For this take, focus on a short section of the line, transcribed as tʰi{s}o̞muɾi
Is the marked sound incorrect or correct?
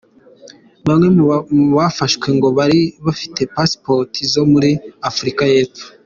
incorrect